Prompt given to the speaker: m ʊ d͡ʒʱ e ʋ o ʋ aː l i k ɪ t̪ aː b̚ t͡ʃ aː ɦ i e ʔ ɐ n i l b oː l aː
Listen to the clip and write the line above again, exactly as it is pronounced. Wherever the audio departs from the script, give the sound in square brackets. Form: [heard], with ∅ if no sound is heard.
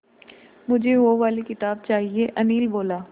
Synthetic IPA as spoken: m ʊ d͡ʒʱ e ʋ o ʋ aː l i k ɪ t̪ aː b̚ t͡ʃ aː ɦ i e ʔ ɐ n [iː] l b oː l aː